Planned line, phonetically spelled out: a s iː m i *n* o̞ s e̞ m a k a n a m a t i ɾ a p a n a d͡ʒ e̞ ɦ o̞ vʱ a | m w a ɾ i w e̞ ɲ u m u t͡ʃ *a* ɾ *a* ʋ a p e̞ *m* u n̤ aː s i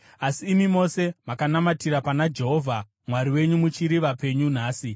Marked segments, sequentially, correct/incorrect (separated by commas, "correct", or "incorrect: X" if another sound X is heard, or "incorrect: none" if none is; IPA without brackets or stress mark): incorrect: m, incorrect: i, incorrect: i, incorrect: ɲ